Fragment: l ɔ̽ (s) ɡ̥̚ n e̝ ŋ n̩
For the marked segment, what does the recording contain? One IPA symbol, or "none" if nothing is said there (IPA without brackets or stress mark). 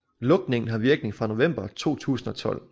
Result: none